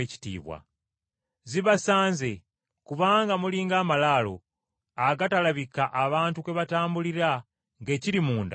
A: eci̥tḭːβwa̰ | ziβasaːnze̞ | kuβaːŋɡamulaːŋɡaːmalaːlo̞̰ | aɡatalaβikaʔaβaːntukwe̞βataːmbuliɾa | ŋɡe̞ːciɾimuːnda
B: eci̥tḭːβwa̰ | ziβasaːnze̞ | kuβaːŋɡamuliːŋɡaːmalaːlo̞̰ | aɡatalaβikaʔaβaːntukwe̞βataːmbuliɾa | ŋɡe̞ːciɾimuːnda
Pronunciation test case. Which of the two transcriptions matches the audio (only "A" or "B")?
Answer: B